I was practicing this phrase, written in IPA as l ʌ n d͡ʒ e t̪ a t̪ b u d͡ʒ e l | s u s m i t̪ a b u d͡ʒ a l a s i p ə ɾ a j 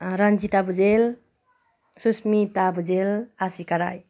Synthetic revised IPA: ɾ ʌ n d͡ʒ i t̪ a b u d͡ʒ e l | s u s m i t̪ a b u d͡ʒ e l a s i k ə ɾ a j